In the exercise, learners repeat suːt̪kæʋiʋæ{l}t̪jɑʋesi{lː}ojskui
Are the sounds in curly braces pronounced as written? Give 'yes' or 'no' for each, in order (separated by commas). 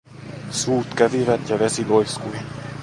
no, no